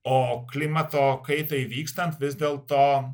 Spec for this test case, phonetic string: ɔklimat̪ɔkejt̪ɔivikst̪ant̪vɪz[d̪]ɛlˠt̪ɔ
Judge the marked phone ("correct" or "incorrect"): correct